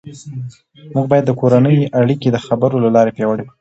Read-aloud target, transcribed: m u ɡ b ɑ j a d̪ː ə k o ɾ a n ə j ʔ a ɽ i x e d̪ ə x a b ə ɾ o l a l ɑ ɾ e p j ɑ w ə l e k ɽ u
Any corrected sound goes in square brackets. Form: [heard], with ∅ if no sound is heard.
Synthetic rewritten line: m u ɡ b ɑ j a d̪ː ə k o ɾ a n ə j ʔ a ɽ i [k] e d̪ ə x a b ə ɾ o l a l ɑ ɾ e p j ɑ w ə [ɽ] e k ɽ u